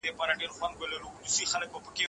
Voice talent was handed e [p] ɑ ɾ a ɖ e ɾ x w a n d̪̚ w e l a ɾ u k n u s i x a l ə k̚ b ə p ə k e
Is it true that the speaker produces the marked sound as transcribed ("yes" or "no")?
yes